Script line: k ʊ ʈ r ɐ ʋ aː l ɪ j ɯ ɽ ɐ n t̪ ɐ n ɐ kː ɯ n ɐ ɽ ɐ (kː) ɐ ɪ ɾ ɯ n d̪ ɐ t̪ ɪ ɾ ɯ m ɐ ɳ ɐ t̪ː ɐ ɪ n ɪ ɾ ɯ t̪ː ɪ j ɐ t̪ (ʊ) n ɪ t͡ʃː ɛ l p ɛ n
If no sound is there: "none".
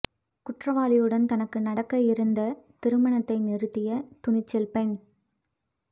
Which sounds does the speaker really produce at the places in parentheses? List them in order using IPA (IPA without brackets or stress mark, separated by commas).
kː, ʊ